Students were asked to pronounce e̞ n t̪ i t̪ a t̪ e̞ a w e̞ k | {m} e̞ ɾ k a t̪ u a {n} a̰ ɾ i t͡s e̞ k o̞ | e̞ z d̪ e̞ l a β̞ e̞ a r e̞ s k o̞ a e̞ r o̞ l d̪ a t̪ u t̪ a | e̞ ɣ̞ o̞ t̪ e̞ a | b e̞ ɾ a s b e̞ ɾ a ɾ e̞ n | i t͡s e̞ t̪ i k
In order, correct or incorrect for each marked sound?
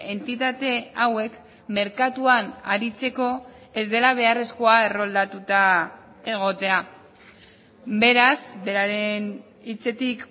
correct, correct

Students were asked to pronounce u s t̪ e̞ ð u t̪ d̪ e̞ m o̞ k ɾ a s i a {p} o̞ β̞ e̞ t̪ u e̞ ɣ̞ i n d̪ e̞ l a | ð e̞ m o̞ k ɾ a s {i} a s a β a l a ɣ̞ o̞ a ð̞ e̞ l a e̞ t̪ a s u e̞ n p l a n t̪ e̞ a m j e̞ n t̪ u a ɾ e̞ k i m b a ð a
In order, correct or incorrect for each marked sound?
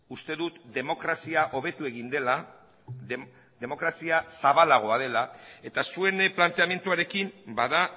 incorrect, correct

